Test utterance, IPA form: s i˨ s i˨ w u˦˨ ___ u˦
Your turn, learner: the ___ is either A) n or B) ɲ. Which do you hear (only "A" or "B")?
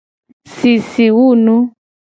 A